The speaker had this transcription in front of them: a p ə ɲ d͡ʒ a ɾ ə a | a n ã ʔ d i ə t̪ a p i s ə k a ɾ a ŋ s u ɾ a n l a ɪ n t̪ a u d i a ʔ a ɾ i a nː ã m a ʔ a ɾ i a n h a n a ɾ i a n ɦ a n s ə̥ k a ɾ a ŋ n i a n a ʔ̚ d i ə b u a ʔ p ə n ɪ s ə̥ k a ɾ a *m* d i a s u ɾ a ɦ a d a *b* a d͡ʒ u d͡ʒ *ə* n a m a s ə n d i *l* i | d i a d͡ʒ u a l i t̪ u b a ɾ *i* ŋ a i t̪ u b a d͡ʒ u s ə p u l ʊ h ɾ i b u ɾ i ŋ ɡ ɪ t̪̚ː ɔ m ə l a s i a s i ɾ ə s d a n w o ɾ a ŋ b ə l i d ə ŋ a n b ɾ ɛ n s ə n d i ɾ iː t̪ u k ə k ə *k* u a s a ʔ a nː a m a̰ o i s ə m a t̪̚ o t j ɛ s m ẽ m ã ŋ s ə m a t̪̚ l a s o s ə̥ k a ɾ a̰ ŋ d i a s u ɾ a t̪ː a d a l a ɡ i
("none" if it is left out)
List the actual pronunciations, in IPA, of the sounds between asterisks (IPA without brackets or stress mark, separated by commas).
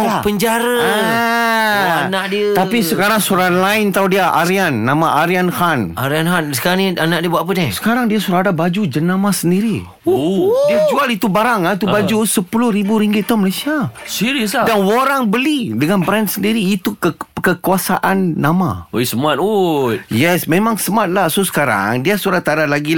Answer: ŋ, b, ə, ɾ, a, k